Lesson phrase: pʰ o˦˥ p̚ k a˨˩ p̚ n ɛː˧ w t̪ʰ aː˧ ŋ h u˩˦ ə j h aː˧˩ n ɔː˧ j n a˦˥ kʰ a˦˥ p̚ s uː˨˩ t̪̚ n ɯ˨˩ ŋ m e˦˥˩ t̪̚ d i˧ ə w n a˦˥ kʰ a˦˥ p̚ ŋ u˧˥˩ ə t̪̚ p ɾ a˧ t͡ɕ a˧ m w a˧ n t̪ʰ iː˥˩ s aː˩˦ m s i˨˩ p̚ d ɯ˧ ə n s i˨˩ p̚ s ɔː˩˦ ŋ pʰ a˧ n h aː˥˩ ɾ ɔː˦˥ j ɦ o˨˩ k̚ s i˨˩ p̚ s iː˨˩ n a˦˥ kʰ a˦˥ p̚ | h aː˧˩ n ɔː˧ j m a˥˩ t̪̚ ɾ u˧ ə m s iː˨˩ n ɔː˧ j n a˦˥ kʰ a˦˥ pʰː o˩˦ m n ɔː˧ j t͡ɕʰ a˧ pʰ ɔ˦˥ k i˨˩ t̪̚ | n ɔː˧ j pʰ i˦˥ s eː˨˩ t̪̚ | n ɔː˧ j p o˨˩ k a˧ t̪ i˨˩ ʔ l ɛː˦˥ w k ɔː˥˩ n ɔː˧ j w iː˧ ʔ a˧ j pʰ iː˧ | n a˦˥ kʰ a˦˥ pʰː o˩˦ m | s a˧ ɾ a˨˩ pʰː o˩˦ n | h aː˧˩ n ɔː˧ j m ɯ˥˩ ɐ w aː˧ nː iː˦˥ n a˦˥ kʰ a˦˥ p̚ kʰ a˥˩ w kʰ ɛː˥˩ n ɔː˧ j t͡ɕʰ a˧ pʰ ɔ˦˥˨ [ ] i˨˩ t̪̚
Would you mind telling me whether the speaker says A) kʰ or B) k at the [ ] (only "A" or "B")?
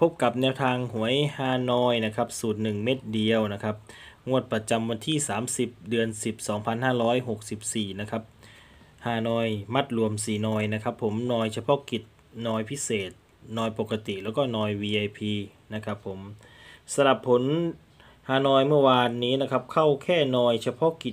B